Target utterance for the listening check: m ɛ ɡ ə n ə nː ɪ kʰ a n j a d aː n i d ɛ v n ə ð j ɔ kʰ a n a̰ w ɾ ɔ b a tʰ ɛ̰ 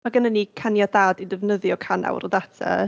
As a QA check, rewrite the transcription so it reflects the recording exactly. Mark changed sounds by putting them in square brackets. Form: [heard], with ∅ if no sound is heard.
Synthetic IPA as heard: m [a] ɡ ə n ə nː [i] kʰ a n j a d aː [d] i d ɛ v n ə ð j ɔ kʰ a n a̰ w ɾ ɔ [d] a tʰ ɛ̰